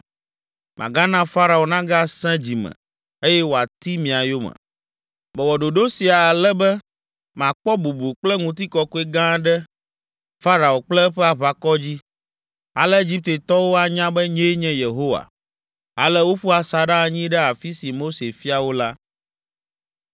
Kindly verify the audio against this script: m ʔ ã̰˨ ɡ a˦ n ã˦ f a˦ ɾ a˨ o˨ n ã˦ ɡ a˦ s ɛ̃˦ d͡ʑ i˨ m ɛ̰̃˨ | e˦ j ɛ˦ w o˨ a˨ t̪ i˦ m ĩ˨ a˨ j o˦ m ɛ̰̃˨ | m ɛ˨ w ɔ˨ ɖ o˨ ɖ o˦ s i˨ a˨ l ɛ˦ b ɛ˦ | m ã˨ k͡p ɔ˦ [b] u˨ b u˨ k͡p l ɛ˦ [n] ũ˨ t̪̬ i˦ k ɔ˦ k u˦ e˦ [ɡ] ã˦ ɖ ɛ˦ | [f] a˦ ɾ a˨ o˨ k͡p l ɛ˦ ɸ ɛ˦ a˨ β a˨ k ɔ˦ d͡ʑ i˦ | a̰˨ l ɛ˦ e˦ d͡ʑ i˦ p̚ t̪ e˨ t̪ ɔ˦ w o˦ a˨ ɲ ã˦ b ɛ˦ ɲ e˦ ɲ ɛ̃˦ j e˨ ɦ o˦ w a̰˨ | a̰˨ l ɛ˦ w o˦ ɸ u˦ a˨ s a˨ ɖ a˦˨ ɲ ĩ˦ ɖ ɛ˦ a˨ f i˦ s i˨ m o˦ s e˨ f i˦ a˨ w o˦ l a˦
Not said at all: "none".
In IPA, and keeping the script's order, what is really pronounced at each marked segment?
b, ŋ, ɡ, f

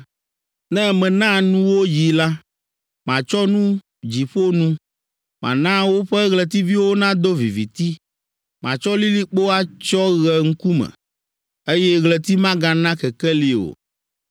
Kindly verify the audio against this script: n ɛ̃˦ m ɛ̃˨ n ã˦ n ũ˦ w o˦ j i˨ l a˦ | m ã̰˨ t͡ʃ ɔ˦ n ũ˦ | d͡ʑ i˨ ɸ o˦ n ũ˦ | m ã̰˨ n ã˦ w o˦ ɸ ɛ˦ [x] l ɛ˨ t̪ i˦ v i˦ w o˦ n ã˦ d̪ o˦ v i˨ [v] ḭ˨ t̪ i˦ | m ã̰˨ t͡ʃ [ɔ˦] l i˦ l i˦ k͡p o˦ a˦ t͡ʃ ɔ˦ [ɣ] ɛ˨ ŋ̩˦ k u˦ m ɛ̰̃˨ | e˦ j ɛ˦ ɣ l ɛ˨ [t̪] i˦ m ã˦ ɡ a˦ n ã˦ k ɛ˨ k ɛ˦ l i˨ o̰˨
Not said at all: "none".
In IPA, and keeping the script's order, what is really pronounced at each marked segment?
ɣ, v, ɔ˦, ɣ, t̪

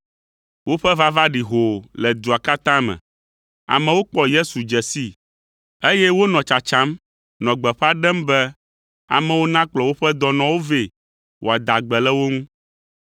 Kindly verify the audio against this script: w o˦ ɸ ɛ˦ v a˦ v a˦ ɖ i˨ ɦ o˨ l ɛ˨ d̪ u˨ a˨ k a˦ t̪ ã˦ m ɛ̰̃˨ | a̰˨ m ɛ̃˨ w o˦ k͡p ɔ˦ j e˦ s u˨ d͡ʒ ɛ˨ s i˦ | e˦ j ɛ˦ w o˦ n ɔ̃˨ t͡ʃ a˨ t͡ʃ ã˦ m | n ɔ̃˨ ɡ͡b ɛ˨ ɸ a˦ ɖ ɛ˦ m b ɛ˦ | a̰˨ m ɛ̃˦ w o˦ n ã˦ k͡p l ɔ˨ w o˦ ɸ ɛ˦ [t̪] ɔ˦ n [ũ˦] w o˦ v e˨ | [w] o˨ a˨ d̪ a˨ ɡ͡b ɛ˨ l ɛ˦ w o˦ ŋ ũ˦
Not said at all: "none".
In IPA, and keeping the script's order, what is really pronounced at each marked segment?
d̪, ɔ̃˦, w

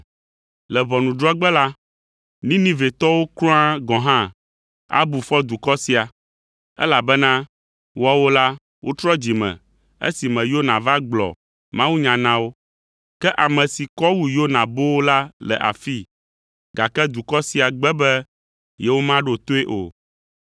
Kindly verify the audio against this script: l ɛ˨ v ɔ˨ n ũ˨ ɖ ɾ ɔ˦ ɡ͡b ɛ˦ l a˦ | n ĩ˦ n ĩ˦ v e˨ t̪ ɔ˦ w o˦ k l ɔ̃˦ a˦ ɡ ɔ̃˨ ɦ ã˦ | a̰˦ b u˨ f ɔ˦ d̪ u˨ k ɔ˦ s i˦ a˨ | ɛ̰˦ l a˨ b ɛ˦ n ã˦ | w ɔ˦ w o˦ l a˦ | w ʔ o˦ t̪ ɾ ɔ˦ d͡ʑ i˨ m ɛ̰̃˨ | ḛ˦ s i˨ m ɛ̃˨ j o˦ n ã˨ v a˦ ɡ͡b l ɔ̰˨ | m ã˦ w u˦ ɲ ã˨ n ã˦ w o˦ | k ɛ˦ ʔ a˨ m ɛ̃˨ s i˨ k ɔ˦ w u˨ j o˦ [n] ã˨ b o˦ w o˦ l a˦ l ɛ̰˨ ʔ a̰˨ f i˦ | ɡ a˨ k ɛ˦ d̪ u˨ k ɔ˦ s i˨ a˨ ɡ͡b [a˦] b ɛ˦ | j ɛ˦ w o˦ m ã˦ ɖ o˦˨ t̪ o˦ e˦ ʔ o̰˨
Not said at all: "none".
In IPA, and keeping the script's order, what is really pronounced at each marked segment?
n, ɛ˦

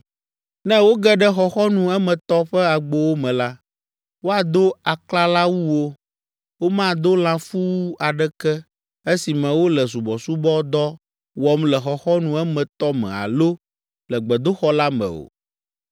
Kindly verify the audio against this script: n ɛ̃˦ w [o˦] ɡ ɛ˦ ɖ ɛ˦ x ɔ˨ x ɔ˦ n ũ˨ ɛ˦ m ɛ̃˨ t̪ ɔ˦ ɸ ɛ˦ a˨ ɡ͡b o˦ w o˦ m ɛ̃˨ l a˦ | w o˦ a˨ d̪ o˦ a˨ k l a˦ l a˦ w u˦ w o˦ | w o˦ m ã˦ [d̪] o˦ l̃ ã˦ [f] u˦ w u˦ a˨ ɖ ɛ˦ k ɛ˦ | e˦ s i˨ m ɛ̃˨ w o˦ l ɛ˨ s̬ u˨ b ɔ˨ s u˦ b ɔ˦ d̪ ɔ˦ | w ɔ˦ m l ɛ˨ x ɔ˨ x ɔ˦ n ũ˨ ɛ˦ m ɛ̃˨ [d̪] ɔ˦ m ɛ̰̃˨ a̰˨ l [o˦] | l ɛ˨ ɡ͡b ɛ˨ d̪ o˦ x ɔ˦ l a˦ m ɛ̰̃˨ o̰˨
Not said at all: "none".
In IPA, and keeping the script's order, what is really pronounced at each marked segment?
o˦, d̪, f, t̪, o˦

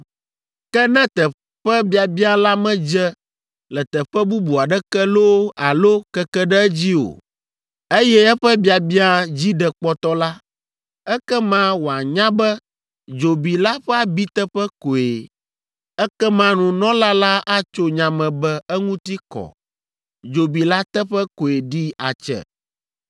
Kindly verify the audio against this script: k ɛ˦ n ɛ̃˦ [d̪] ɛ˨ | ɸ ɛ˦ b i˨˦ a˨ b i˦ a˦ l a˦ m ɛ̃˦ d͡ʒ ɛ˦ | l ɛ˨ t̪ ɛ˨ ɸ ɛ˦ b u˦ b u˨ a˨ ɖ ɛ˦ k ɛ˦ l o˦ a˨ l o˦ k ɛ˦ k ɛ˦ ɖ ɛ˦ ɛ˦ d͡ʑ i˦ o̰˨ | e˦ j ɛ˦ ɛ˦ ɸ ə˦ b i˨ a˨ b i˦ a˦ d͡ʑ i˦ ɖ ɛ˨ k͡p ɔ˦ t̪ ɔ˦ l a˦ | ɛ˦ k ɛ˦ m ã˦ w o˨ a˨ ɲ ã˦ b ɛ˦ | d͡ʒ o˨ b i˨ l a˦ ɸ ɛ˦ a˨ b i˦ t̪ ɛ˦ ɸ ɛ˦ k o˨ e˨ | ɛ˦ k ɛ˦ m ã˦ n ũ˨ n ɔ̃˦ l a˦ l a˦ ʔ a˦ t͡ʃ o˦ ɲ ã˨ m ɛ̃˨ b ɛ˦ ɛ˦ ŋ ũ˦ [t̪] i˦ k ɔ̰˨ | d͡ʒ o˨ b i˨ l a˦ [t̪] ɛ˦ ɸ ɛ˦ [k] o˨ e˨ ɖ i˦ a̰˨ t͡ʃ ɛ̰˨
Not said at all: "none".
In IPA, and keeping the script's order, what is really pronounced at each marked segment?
t̪, t̪, t̪, k

